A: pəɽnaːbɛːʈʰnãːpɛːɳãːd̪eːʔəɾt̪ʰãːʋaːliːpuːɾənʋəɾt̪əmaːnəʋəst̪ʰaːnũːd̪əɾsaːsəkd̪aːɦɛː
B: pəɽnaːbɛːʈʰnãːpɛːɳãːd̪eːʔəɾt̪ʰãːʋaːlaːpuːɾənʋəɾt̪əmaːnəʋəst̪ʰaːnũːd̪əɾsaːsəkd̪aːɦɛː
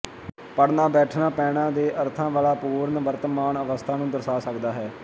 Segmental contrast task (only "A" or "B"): B